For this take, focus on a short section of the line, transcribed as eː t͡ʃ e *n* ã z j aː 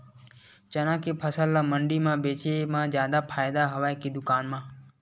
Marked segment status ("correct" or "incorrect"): incorrect